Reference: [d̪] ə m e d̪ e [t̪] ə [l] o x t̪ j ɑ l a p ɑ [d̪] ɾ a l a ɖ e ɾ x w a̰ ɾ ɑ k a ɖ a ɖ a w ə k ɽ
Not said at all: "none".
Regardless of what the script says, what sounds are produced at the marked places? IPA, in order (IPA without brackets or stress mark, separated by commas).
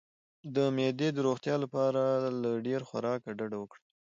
d̪, d̪, ɾ, none